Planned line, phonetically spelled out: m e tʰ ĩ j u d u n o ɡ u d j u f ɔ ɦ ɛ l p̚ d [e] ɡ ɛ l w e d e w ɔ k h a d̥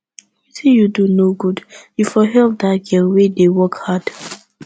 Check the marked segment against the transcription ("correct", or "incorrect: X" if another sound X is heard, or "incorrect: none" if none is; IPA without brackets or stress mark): incorrect: a